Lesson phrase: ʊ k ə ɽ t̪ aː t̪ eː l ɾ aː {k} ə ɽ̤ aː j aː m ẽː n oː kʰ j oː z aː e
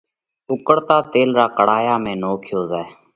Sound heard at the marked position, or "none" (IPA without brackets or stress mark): k